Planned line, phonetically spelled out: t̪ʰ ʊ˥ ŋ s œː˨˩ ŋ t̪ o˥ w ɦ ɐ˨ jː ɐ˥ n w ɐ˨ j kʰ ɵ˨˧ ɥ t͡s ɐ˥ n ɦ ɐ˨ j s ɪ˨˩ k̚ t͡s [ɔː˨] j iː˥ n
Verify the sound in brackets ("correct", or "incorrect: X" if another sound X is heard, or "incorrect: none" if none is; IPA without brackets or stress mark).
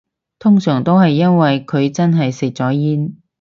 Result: incorrect: ɔː˨˥